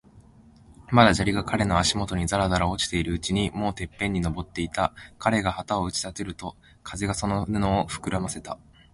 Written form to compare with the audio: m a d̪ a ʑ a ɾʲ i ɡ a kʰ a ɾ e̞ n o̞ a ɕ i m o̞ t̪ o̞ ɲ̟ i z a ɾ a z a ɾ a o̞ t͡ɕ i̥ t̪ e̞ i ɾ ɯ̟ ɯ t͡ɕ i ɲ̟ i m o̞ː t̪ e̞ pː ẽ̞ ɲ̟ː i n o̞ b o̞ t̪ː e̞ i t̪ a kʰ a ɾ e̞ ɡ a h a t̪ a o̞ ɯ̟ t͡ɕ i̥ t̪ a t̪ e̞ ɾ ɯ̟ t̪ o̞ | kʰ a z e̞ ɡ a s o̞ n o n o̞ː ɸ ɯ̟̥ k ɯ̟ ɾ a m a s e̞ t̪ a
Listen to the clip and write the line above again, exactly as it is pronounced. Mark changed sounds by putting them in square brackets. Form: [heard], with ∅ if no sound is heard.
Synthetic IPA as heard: m a d̪ a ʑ a ɾʲ i ɡ a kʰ a ɾ e̞ n o̞ a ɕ i m o̞ t̪ o̞ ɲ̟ i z a ɾ a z a ɾ a o̞ t͡ɕ i̥ t̪ e̞ i ɾ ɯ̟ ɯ t͡ɕ i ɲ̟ i m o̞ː t̪ e̞ pː ẽ̞ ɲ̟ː i n o̞ b o̞ t̪ː e̞ i t̪ a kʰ a ɾ e̞ ɡ a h a t̪ a o̞ ɯ̟ t͡ɕ i̥ t̪ a t̪ e̞ ɾ ɯ̟ t̪ o̞ | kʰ a z e̞ ɡ a s o̞ n o n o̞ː ɸ ɯ̟̥ k ɯ̟ ɾ a m a s e̞ t̪ a